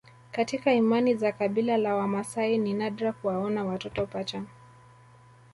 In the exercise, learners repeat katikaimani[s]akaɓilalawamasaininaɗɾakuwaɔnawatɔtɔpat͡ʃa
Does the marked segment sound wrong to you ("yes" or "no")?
yes